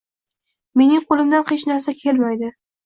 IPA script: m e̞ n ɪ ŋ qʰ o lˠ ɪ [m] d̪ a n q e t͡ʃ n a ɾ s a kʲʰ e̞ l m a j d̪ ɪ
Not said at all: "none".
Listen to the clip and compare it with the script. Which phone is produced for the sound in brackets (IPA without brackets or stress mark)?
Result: m